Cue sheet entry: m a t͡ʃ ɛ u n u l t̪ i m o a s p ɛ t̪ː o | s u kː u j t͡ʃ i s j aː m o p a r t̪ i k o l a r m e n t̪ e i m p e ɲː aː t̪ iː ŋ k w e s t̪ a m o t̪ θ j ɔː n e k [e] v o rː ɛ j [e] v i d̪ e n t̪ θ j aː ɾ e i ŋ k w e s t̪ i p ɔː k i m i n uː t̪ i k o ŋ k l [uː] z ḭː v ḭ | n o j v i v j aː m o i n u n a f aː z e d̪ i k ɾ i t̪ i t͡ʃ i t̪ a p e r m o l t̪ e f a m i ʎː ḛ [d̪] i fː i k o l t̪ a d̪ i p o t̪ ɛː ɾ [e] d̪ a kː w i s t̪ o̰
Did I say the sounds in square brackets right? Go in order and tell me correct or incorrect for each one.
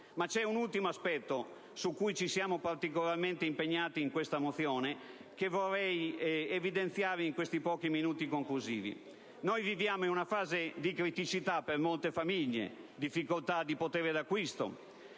correct, correct, incorrect: u, correct, correct

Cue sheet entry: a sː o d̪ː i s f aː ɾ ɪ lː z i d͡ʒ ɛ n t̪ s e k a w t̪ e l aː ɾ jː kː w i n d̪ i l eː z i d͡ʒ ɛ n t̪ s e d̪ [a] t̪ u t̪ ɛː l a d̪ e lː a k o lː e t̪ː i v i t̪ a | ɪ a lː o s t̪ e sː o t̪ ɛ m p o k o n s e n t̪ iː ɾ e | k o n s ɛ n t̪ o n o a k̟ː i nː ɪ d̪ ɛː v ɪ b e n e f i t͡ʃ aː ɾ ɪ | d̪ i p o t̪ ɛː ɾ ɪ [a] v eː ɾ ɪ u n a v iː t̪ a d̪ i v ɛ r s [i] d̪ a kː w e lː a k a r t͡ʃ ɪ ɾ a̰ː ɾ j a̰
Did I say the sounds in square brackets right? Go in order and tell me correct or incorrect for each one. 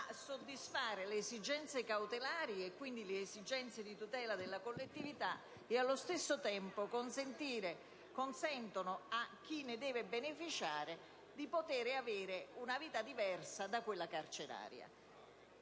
incorrect: i, correct, incorrect: a

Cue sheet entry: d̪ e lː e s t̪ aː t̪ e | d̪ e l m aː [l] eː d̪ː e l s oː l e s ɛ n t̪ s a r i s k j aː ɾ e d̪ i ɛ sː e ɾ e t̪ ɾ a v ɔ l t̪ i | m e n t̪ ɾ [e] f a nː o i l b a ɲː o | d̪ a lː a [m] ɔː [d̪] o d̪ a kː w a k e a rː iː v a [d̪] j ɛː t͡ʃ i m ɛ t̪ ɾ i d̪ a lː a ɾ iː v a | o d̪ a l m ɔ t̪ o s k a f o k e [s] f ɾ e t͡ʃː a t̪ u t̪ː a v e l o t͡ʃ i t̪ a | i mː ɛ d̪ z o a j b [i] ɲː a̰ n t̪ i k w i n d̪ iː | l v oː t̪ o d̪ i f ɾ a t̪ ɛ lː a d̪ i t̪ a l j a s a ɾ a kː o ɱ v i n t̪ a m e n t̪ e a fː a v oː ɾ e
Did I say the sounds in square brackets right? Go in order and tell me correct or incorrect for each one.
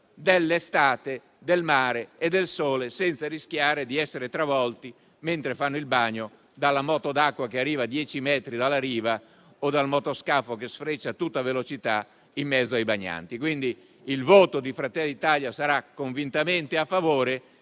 incorrect: ɾ, correct, correct, incorrect: t̪, correct, correct, incorrect: a

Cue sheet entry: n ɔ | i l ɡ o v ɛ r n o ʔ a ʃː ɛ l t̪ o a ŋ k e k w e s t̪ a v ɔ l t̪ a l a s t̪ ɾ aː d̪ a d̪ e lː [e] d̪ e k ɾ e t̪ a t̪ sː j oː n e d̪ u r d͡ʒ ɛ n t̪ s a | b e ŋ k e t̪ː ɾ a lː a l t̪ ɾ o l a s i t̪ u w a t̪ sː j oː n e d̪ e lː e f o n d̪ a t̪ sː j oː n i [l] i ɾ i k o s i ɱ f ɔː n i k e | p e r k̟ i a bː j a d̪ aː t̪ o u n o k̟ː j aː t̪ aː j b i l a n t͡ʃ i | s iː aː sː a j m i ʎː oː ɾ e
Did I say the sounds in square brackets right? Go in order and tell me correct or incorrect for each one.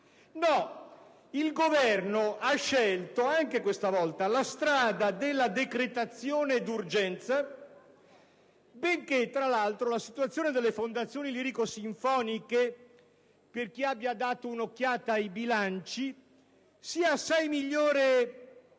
incorrect: a, correct

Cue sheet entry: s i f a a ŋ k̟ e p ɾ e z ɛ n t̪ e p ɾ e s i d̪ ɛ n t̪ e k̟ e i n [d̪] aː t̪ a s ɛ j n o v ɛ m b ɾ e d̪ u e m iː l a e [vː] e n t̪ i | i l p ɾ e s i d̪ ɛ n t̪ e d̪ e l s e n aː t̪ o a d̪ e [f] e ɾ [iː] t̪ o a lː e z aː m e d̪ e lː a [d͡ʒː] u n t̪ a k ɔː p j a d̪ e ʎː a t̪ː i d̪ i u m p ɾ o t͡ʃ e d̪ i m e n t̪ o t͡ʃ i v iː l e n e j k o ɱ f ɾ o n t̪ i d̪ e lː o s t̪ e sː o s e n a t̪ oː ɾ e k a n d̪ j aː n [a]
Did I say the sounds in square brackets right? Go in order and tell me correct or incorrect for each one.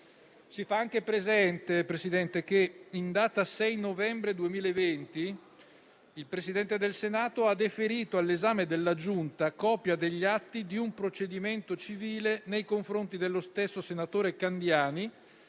correct, incorrect: v, correct, correct, incorrect: d͡ʒ, incorrect: i

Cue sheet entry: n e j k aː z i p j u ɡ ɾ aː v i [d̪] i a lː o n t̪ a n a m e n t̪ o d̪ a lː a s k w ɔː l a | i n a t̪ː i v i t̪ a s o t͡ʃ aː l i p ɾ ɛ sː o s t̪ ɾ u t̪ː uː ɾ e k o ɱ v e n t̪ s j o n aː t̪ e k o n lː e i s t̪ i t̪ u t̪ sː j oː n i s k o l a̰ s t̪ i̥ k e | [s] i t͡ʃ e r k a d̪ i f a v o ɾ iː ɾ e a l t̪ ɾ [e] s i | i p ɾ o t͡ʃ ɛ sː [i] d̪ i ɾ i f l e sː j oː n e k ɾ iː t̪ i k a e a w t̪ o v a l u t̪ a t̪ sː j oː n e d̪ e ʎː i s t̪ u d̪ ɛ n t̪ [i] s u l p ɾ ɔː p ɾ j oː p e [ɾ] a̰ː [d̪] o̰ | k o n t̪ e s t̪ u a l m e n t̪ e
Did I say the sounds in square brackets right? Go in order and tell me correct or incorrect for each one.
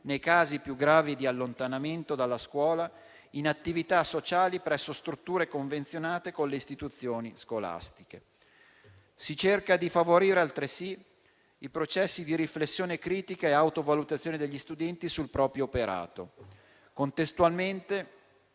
correct, correct, correct, correct, correct, correct, incorrect: t̪

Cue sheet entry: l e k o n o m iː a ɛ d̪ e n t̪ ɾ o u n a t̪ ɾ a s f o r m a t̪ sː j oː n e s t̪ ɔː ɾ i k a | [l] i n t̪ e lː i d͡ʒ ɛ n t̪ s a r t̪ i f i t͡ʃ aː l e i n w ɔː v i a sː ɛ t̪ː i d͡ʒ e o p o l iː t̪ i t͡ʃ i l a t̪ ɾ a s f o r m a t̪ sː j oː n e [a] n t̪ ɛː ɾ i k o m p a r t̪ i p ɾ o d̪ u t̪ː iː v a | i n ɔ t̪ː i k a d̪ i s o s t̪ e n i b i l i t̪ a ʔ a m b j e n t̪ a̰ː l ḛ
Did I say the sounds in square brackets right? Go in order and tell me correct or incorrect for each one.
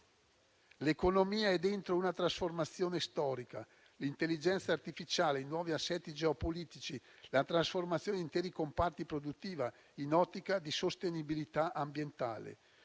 correct, incorrect: i

